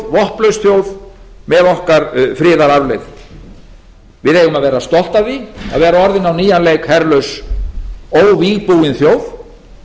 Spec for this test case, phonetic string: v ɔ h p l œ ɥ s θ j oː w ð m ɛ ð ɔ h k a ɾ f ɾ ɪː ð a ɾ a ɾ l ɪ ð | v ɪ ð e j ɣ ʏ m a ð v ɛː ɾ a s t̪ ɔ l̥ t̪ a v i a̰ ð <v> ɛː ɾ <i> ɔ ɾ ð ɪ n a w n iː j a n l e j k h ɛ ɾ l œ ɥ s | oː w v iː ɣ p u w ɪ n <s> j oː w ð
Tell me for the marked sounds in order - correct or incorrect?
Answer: correct, incorrect: a, incorrect: θ

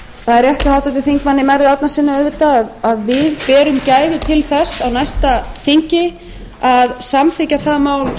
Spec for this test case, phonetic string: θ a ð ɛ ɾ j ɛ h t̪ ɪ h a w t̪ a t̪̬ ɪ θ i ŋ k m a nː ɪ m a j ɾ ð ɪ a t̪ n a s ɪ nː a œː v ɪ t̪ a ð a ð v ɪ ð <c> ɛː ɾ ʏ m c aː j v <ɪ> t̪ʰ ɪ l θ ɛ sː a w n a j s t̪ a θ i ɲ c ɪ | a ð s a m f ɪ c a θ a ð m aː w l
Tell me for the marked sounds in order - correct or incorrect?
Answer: incorrect: p, correct

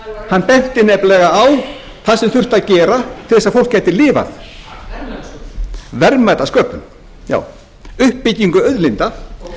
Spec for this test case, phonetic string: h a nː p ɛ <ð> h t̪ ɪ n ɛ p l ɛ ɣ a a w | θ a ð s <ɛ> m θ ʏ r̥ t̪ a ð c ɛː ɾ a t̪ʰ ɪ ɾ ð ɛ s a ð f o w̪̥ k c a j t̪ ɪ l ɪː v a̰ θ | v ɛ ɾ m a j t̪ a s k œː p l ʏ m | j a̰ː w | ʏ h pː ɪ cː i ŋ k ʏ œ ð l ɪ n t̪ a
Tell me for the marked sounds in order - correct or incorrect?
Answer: incorrect: none, correct

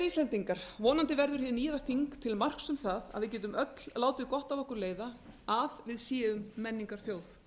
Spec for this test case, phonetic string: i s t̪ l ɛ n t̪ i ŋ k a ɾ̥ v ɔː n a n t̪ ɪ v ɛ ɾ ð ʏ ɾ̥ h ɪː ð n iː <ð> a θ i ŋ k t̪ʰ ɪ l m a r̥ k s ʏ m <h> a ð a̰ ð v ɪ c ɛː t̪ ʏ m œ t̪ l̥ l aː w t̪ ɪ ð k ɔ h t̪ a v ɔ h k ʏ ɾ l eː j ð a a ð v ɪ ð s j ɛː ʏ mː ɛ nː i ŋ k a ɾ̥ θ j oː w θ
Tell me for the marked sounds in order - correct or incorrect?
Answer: correct, incorrect: θ

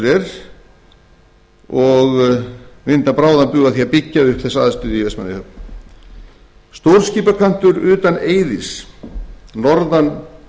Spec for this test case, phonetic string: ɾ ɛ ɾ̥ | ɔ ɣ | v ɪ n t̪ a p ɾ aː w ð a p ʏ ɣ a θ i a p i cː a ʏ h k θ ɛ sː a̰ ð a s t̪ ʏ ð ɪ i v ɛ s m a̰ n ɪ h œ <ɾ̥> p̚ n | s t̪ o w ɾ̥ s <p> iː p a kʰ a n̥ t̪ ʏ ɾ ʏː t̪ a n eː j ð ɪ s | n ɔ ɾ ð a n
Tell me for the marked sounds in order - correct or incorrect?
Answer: incorrect: none, incorrect: c

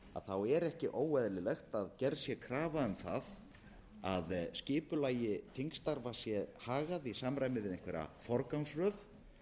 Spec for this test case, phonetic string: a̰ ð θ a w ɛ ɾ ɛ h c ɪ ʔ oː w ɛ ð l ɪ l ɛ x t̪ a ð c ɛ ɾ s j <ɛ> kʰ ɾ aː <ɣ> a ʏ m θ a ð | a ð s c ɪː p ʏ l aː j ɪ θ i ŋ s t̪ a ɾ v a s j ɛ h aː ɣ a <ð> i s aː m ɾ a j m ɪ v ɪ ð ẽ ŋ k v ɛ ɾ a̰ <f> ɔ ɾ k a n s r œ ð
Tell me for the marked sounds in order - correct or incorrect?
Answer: correct, incorrect: v, correct, correct

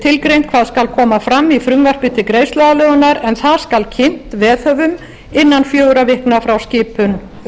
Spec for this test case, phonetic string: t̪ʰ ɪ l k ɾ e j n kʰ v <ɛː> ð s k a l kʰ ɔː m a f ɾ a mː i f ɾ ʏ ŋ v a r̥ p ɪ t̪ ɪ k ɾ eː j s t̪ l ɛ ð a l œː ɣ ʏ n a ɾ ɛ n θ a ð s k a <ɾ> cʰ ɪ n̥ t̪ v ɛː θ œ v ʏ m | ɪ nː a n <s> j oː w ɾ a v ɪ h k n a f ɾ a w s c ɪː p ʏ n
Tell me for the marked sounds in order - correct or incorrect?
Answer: incorrect: aː, incorrect: l, incorrect: f

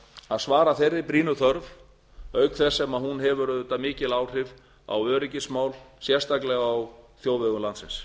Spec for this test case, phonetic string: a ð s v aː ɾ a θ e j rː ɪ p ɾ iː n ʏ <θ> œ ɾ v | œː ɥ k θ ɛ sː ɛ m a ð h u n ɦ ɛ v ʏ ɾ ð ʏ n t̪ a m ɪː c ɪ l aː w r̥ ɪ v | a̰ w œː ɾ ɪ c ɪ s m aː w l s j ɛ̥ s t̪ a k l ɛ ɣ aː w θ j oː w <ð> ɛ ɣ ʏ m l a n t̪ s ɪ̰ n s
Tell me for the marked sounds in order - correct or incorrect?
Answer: correct, incorrect: v

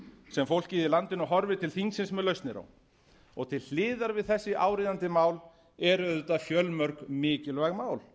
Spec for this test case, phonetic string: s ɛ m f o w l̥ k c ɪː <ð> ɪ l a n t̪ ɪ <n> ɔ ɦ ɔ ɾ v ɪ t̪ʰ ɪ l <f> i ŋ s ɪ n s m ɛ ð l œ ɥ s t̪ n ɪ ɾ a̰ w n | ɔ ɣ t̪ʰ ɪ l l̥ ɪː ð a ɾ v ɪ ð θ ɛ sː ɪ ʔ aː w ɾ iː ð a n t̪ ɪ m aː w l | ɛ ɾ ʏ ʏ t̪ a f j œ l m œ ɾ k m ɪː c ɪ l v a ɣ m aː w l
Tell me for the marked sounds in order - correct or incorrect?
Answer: correct, correct, incorrect: θ

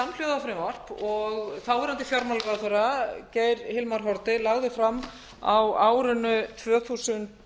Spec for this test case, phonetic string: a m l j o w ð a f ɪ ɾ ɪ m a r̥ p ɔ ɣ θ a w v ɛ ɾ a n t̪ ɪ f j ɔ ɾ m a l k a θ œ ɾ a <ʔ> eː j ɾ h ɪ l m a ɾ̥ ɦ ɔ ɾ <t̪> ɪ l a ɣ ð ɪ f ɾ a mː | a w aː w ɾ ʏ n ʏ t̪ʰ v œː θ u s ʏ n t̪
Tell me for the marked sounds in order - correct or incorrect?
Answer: incorrect: c, correct

